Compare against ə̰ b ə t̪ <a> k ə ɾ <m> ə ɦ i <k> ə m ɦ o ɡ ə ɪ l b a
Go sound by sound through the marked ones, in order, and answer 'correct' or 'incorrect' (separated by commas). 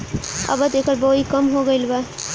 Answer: incorrect, incorrect, correct